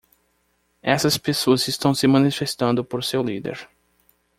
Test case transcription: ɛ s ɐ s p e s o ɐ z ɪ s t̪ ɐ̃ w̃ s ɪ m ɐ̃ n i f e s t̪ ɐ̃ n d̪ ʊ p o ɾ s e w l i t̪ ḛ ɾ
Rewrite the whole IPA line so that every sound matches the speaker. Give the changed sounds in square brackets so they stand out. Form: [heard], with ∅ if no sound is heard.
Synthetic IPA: ɛ s ɐ s p e s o ɐ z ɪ s t̪ ɐ̃ w̃ s ɪ m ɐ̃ n i f e s t̪ ɐ̃ n d̪ ʊ p o ɾ s e w l i [d̪] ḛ ɾ